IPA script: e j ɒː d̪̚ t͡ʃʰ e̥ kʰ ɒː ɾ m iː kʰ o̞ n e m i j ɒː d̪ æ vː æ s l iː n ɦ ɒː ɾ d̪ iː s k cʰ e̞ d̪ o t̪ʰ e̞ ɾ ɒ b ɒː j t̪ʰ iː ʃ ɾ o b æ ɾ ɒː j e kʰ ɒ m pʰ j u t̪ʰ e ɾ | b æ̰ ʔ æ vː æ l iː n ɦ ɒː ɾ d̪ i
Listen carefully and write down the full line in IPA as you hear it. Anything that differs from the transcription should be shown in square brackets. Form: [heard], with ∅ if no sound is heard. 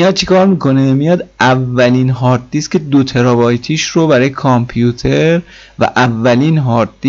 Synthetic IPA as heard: [i] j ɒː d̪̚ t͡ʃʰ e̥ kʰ ɒː ɾ m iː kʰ o̞ n e m i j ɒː d̪ æ vː æ [∅] l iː n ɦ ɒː ɾ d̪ iː s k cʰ e̞ d̪ o t̪ʰ e̞ ɾ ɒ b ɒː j t̪ʰ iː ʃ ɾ o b æ ɾ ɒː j e kʰ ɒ m pʰ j u t̪ʰ e ɾ | [v] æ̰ ʔ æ vː æ l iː n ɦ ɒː ɾ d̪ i